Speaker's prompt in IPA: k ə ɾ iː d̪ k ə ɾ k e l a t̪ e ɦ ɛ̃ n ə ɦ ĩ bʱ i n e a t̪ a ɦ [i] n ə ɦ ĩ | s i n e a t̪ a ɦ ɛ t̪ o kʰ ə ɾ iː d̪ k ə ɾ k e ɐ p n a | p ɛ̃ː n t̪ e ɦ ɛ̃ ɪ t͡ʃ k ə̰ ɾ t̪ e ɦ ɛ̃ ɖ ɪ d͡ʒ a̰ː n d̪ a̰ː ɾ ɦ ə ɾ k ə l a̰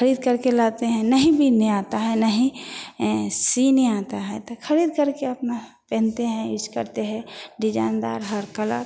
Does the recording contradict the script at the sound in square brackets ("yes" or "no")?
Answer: yes